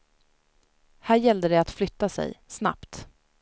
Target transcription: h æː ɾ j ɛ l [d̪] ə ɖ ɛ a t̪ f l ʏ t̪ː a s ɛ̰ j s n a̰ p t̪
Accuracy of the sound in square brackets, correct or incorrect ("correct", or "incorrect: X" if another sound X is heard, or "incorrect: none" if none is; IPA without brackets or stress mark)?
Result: correct